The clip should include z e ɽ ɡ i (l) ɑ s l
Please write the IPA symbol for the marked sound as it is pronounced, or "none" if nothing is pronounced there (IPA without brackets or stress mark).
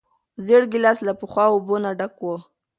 l